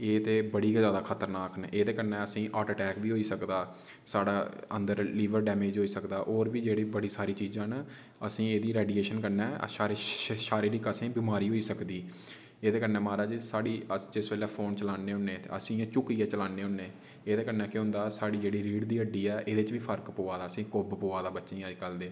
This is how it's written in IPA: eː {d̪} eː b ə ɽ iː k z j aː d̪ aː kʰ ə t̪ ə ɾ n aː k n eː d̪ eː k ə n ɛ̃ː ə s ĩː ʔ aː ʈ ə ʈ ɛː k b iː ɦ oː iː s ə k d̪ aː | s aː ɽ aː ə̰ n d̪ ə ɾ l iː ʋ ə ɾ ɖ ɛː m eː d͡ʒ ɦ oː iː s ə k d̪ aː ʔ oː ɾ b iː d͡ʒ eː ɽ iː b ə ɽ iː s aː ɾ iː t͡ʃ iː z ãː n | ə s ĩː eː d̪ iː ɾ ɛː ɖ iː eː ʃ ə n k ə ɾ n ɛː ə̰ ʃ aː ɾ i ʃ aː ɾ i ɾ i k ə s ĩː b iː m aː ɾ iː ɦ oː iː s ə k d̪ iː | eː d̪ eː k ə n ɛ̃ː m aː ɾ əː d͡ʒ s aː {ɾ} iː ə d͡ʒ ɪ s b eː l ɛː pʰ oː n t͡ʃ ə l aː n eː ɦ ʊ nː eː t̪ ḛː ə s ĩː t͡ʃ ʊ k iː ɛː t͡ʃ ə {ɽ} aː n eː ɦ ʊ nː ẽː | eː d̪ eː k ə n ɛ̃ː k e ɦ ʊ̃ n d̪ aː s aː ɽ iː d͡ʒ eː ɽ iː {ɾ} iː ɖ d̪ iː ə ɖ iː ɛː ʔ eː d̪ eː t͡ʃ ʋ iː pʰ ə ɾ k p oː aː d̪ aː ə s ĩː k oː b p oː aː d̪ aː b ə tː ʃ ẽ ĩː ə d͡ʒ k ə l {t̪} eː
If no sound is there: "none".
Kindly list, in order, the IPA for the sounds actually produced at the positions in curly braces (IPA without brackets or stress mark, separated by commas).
t̪, ɽ, l, ɾ, d̪